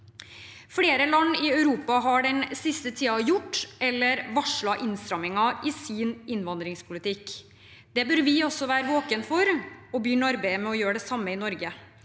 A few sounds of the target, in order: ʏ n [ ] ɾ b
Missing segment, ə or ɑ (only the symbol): ɑ